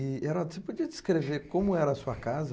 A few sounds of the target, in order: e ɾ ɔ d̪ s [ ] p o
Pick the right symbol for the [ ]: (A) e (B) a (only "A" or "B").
A